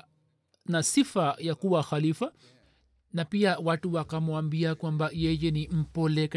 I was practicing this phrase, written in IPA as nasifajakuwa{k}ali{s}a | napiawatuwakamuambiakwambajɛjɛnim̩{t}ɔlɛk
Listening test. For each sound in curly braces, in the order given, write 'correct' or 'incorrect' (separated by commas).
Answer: incorrect, incorrect, incorrect